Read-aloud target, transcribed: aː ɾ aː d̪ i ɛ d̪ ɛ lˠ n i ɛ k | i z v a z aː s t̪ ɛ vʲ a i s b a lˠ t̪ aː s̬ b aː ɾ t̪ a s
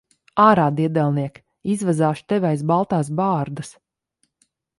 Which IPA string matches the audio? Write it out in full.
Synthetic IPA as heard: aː ɾ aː d̪ i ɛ d̪ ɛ lˠ n i ɛ k | i z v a z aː ʃ t̪ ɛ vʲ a j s b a lˠ t̪ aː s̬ b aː ɾ d̪ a s